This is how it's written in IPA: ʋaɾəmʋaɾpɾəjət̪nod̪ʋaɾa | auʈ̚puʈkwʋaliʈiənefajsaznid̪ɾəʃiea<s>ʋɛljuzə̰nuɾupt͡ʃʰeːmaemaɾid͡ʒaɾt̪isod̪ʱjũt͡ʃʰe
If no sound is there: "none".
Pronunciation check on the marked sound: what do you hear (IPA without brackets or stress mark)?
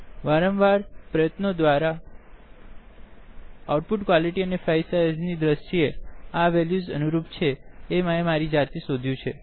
none